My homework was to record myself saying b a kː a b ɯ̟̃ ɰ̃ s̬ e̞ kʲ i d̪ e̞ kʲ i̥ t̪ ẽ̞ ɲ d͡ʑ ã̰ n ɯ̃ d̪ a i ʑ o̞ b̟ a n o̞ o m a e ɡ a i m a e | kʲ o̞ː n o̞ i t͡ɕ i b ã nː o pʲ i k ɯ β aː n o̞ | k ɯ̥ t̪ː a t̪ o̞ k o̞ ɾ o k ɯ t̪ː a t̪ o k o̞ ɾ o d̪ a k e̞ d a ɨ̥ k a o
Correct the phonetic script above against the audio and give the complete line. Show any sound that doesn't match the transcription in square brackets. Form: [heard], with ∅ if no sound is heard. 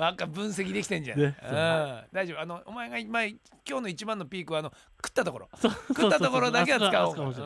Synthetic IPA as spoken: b a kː a b ɯ̟̃ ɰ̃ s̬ e̞ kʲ i d̪ e̞ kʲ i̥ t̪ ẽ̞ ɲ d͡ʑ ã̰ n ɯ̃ d̪ a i ʑ o̞ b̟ a n o̞ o m a e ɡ a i m a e | kʲ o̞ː n o̞ i t͡ɕ i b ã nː o pʲ [iː] k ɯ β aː n o̞ | k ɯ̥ t̪ː a t̪ o̞ k o̞ ɾ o k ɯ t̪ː a t̪ o k o̞ ɾ o d̪ a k e̞ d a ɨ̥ k a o